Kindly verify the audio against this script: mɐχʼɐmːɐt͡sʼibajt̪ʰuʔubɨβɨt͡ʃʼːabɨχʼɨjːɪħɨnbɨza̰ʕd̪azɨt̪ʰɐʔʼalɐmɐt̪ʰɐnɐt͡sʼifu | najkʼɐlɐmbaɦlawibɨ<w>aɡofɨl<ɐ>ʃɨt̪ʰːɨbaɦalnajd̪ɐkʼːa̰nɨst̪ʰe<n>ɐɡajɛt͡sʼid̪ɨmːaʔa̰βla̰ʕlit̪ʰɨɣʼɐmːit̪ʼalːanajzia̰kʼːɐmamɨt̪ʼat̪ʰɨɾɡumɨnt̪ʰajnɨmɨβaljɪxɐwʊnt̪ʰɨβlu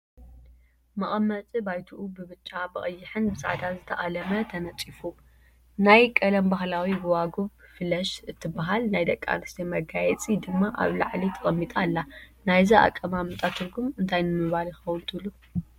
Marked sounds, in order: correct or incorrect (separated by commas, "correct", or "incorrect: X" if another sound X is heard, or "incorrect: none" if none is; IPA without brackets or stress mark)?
correct, correct, incorrect: m